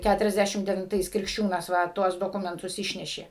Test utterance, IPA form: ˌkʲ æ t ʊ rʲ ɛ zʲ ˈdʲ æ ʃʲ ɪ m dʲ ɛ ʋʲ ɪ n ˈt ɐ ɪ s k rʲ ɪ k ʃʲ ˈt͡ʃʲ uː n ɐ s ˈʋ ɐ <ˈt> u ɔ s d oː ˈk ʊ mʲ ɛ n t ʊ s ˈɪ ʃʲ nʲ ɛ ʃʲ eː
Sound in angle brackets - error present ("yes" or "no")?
no